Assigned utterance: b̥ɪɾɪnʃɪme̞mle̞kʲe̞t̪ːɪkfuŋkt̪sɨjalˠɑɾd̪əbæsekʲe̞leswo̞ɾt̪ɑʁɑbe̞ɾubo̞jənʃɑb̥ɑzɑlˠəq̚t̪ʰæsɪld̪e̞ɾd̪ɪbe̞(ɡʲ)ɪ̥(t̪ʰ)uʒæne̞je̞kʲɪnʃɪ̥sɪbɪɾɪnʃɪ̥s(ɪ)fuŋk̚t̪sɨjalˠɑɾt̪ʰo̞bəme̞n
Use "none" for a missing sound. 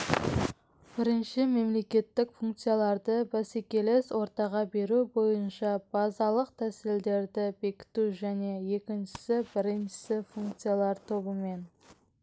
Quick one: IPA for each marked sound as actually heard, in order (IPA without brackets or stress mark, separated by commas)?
kʲ, t̪, ɪ